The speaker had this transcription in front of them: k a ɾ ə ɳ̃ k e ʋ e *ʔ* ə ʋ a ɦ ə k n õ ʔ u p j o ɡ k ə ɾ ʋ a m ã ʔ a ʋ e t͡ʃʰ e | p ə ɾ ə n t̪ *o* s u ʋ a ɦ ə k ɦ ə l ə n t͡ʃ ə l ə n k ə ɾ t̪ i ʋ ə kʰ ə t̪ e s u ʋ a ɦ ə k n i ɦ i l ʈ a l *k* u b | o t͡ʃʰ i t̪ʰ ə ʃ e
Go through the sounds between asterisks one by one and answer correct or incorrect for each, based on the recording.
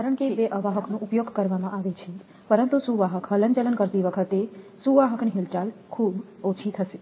correct, incorrect: u, incorrect: kʰ

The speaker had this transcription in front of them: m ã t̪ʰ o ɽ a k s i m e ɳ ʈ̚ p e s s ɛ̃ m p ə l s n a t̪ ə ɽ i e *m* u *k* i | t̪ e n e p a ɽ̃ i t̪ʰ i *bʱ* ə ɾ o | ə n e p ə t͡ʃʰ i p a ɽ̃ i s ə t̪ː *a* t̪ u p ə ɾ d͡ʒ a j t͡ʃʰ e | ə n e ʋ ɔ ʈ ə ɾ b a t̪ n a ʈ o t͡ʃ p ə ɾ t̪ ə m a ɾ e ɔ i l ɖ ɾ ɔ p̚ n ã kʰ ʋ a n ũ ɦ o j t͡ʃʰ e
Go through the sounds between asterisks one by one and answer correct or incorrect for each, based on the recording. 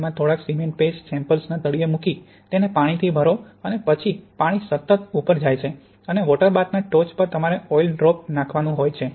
correct, correct, correct, incorrect: ə

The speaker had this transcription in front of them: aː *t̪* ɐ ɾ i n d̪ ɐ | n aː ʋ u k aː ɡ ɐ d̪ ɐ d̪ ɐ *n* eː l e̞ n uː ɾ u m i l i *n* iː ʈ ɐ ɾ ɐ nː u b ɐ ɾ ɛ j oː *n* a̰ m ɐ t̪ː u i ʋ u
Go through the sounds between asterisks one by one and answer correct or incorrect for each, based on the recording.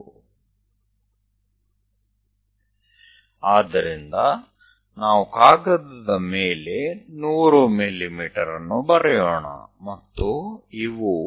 incorrect: d̪, incorrect: m, incorrect: m, incorrect: ɳ

